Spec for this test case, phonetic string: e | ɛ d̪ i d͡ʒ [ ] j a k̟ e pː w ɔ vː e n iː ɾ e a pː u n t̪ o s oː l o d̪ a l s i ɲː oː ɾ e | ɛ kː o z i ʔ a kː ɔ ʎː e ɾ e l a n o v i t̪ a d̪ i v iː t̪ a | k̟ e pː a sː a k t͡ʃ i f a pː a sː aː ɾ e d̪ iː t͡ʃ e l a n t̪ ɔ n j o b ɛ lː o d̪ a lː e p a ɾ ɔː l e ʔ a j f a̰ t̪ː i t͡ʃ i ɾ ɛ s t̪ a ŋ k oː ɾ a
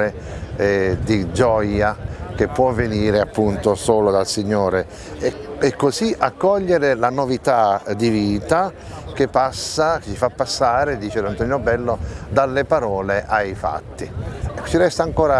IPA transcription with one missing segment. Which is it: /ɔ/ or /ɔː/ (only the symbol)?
ɔ